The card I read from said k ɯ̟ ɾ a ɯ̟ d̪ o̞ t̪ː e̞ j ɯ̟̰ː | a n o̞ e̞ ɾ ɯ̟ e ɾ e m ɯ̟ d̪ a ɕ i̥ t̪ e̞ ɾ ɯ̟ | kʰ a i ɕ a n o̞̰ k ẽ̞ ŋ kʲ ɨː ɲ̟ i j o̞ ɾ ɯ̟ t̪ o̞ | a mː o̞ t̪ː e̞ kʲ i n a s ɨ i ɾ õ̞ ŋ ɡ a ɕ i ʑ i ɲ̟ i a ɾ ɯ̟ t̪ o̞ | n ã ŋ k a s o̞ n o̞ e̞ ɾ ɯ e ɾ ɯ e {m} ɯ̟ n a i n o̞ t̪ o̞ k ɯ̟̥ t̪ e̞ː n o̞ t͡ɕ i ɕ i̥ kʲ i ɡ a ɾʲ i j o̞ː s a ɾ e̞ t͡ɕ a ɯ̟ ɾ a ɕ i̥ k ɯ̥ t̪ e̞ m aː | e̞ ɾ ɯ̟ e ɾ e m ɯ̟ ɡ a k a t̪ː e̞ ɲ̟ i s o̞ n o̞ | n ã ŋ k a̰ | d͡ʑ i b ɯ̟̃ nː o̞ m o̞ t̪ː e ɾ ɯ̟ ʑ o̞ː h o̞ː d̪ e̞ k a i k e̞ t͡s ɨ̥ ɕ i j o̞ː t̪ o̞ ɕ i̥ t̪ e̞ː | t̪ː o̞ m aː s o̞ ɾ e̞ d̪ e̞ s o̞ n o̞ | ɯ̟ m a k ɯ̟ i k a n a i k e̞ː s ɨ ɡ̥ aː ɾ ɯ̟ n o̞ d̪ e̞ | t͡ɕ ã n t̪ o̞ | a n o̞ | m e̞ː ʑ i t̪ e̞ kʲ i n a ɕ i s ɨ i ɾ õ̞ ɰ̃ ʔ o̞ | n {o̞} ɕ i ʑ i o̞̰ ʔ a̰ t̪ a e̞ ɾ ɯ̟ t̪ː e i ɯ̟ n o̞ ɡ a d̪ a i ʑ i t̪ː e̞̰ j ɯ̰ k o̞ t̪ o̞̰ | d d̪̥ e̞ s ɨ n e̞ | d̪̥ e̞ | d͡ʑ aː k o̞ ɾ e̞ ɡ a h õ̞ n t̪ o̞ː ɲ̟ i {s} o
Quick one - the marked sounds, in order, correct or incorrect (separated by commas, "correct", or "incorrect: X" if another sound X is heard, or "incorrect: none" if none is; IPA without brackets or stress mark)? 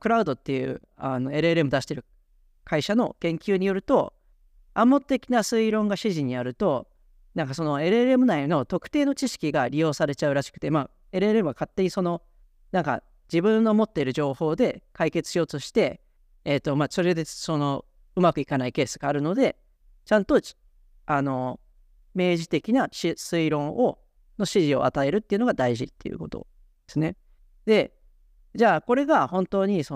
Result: correct, correct, correct